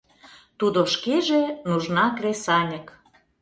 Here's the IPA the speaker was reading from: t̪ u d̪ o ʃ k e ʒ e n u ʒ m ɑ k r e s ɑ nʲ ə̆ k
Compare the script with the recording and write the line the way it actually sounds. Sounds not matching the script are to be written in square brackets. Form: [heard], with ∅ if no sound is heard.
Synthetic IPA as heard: t̪ u d̪ o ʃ k e ʒ e n u ʒ [n] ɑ k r e s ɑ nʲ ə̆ k